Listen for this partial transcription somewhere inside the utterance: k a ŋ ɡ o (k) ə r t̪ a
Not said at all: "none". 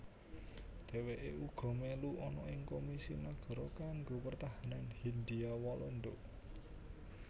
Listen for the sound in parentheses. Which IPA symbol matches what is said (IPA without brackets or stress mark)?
p